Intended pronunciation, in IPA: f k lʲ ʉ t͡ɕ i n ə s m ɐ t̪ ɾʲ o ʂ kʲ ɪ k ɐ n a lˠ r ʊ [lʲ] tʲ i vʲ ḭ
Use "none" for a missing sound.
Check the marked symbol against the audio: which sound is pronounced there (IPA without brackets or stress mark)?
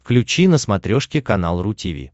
none